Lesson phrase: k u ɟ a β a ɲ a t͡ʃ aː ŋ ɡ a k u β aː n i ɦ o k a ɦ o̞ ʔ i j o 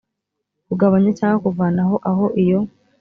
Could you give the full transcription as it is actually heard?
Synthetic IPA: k u ɡ a β a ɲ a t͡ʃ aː ŋ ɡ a k u v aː n a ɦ o ʔ a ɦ o̞ ʔ i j o